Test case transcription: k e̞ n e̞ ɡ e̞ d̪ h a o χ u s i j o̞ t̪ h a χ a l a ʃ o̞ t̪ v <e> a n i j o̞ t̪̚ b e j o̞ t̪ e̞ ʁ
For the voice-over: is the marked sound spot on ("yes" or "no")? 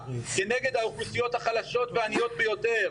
yes